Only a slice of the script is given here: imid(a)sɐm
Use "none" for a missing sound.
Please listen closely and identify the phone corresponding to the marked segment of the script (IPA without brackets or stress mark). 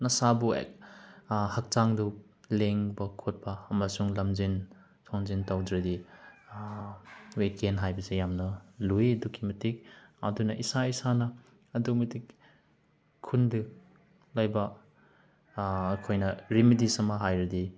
i